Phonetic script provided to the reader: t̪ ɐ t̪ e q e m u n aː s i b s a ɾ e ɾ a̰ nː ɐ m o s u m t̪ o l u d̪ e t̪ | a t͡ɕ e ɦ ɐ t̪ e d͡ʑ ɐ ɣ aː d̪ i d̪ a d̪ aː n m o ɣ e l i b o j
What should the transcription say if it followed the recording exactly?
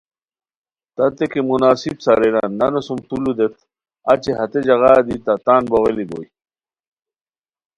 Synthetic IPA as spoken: t̪ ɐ t̪ e k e m u n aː s i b s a ɾ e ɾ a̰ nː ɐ n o s u m t̪ u l u d̪ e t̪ | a t͡ɕ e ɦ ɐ t̪ e d͡ʑ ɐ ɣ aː d̪ i t̪ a t̪ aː n b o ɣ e l i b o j